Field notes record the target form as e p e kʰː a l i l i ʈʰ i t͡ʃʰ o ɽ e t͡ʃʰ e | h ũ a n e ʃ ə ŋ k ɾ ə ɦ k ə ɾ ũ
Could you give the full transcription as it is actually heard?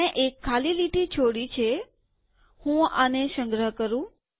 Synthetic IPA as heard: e ʔ e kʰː a l i l i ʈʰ i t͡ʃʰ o ɽ i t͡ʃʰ e | h ũ a n e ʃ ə ŋ ɡ ɾ ə ɦ k ə ɾ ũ